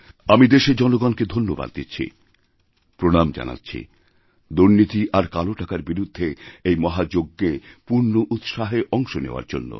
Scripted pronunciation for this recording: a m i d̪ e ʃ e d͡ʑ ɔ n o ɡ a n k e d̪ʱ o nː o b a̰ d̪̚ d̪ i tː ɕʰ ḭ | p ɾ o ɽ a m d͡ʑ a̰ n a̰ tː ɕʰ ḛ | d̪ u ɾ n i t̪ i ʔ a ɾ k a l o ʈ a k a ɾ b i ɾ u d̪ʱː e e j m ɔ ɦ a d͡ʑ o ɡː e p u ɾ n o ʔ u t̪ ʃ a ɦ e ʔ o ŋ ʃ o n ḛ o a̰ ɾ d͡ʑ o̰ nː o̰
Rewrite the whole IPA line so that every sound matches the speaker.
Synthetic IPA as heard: a m i d̪ e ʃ e d͡ʑ ɔ n o ɡ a n k e d̪ʱ o nː o b a̰ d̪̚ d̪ i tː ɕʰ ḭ | p ɾ o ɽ a m d͡ʑ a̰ n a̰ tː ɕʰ ḭ | d̪ u ɾ n i t̪ i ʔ a ɾ k a l o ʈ a k a ɾ b i ɾ u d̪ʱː e e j m ɔ ɦ a d͡ʑ o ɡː e p u ɾ n o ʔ u t̪ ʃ a ɦ e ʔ ɔ ŋ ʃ o n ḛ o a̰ ɾ d͡ʑ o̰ nː o̰